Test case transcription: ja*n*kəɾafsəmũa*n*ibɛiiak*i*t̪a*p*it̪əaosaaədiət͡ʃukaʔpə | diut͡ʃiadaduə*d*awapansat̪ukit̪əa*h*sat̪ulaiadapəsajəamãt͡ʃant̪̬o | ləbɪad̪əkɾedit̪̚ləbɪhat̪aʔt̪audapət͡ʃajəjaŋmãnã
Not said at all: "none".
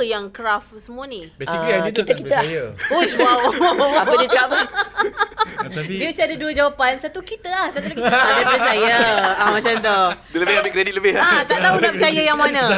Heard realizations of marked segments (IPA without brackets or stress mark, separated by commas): ŋ, n, i, k, d͡ʒ, h